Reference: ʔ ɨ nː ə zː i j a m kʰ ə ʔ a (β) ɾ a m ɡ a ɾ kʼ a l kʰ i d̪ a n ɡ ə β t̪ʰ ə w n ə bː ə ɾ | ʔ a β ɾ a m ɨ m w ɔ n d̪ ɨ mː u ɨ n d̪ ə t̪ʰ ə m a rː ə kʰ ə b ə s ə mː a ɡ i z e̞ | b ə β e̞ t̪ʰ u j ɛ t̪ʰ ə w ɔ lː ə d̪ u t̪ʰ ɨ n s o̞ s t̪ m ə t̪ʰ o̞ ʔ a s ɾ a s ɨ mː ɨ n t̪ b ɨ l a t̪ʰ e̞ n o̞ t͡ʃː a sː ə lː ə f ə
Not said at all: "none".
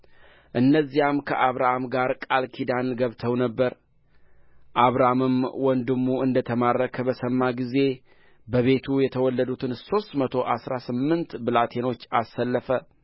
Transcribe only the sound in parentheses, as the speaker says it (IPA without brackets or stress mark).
β